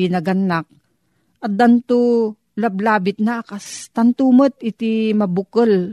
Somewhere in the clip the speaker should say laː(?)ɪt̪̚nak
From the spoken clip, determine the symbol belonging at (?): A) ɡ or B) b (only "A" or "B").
B